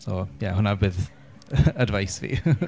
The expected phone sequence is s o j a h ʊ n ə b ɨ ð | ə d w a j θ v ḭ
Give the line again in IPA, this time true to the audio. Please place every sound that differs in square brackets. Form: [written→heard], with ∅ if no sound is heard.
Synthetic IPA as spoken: s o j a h ʊ n [ə→a] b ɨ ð | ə d [w→v] a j [θ→s] v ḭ